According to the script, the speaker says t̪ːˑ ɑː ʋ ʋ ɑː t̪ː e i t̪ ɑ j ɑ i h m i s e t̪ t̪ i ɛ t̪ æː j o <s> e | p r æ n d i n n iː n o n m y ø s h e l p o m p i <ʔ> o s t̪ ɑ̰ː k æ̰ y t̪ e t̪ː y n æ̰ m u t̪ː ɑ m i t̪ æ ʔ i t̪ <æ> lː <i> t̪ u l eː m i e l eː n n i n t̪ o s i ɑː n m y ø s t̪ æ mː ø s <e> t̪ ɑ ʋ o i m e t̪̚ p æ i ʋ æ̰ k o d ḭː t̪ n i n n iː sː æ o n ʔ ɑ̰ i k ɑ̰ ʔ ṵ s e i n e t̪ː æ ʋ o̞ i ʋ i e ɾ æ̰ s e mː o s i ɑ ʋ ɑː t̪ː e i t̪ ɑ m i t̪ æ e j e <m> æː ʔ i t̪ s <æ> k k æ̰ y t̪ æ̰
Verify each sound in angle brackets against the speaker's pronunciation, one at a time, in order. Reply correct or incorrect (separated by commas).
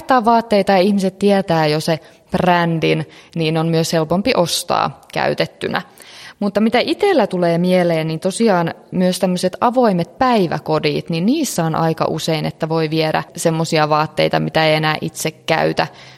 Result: correct, correct, incorrect, incorrect, correct, incorrect, incorrect